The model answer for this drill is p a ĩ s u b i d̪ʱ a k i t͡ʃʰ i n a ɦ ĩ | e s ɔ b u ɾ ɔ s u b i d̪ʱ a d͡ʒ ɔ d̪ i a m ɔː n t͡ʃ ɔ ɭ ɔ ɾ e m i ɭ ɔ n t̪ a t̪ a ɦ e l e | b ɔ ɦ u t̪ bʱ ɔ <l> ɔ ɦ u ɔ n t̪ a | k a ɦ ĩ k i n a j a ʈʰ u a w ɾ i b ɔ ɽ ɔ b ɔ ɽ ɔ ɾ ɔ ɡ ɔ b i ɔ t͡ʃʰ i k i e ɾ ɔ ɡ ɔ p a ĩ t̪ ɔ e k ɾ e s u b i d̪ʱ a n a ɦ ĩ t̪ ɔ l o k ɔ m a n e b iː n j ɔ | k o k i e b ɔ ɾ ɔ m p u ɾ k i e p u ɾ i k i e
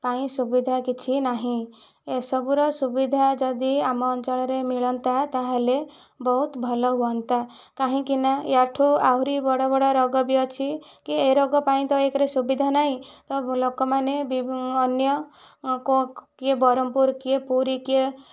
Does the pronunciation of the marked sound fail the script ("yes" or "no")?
no